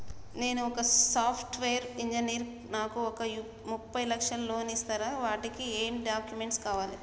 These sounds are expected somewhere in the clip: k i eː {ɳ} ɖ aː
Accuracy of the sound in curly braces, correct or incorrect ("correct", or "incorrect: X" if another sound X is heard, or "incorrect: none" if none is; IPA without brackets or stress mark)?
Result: incorrect: m